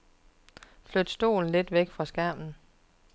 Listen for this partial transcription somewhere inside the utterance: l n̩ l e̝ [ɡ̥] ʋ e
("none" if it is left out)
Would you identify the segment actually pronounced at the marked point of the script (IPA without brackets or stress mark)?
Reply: d̥